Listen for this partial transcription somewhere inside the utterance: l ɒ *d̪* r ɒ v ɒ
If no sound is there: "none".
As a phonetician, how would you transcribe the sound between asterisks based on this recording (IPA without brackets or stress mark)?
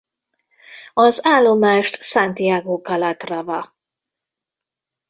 t̪